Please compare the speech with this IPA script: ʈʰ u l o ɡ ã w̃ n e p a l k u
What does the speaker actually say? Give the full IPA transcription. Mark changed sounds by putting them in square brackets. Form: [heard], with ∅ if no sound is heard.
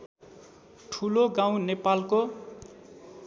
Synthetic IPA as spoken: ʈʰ u l o ɡ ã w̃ n e p a l k [o]